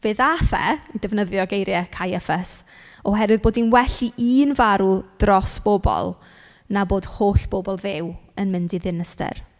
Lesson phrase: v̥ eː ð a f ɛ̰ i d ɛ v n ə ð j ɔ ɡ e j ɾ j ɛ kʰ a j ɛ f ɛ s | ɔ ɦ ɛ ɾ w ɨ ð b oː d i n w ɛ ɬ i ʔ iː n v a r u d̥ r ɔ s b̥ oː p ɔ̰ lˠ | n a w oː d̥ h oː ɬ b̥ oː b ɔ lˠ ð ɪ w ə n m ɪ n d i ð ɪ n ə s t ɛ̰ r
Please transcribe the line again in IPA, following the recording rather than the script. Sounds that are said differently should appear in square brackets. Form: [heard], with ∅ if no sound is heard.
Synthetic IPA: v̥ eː ð a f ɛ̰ i d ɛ v n ə ð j ɔ ɡ e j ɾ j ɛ kʰ a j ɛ f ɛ s | ɔ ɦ ɛ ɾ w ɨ ð b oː d i n w ɛ ɬ i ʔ iː n v a [ɾ] u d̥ r ɔ s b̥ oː [b] ɔ̰ lˠ | n a [b] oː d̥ h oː ɬ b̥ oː b ɔ lˠ ð ɪ w ə n m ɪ n d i ð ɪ n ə s t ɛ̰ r